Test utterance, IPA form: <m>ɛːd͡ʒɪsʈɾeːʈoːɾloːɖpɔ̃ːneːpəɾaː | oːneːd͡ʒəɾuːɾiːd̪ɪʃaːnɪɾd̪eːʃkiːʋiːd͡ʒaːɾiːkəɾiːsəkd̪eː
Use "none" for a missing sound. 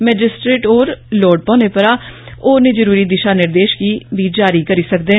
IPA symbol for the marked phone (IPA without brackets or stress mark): m